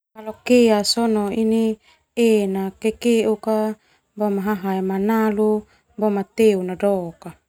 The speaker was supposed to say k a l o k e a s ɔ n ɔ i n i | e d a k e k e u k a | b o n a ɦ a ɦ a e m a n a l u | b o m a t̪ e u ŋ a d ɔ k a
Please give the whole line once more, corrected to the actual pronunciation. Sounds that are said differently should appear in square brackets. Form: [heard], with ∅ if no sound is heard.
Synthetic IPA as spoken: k a l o k e a s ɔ n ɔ i n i | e [n] a k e k e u k a | b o [m] a ɦ a ɦ a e m a n a l u | b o m a t̪ e u [n] a d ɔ k a